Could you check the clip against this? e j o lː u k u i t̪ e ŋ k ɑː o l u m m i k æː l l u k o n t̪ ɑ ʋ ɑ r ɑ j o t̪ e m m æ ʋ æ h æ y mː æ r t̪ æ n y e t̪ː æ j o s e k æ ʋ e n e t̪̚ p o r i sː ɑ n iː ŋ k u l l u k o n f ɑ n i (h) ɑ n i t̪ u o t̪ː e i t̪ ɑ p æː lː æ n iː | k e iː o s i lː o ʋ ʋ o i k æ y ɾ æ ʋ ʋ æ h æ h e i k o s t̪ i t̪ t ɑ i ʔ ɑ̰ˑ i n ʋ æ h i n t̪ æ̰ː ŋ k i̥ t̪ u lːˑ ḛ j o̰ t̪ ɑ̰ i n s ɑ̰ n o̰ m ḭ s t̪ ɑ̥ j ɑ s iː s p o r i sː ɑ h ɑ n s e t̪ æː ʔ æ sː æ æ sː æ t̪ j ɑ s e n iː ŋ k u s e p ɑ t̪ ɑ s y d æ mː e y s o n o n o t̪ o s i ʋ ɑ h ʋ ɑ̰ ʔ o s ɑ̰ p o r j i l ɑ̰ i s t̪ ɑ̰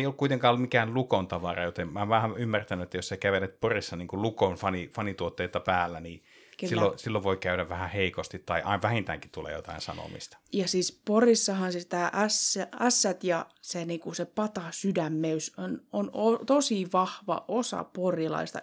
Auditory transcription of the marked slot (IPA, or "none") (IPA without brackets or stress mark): f